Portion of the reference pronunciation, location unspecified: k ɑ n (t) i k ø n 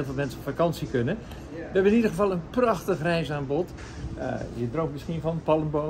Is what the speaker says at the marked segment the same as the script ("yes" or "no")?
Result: no